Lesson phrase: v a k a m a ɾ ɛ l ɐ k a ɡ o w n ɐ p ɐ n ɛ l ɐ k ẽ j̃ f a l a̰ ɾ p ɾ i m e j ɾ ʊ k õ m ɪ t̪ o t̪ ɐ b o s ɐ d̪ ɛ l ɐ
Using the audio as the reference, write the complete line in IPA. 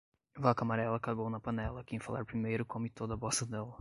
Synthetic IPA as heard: v a k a m a ɾ ɛ l ɐ k a ɡ o w n ɐ p ɐ n ɛ l ɐ k ẽ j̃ f a l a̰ ɾ p ɾ i m e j ɾ ʊ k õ m ɪ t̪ o d̪ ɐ b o s ɐ d̪ ɛ l ɐ